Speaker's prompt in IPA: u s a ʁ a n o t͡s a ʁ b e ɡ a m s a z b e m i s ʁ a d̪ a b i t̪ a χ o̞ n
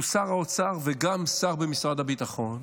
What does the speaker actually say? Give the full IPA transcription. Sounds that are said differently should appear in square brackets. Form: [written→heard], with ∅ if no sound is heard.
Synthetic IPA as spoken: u s a ʁ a [n→∅] o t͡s a ʁ [b→v] e ɡ a m s a [z→ʁ] b e m i s ʁ a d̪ a b i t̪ a χ o̞ n